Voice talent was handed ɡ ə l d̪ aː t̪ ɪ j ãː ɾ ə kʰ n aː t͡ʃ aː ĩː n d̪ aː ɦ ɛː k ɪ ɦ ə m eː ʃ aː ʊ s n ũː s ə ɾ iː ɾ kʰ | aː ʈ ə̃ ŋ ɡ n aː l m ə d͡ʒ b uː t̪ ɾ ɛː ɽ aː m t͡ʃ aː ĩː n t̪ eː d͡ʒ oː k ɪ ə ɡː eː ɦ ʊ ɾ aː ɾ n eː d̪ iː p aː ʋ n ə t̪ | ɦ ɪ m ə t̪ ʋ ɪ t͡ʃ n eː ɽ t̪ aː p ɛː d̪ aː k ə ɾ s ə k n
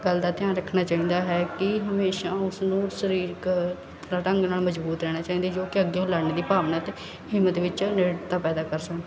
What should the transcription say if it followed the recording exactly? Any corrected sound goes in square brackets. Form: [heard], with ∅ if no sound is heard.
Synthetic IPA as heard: ɡ ə l d̪ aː t̪ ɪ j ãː ɾ ə kʰ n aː t͡ʃ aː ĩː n d̪ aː ɦ ɛː k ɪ ɦ ə m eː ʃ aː ʊ s n ũː s ə ɾ iː ɾ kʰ | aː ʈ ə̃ ŋ ɡ n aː l m ə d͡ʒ b uː t̪ ɾ ɛː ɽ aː [∅] t͡ʃ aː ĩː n [d̪] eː d͡ʒ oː k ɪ ə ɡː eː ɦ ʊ [l] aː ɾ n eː d̪ iː p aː ʋ n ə t̪ | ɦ ɪ m ə t̪ ʋ ɪ t͡ʃ n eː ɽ t̪ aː p ɛː d̪ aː k ə ɾ s ə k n